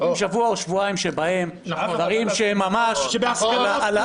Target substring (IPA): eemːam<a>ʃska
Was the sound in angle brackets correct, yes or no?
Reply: yes